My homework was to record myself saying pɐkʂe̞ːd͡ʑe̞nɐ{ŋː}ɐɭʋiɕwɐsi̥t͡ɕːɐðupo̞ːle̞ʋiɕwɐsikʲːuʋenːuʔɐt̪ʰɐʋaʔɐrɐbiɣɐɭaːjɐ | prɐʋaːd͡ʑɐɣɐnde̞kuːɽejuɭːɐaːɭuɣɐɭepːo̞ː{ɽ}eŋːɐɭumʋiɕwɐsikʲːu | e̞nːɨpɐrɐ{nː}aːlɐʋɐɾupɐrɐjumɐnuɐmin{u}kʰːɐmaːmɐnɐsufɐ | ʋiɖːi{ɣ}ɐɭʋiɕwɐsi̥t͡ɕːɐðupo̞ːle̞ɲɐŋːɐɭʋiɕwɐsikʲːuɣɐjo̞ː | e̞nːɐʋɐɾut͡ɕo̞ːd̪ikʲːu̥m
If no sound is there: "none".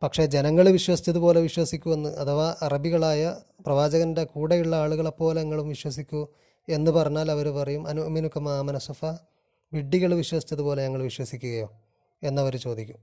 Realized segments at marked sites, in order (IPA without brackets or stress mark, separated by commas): ŋː, l, ɲː, u, ɣ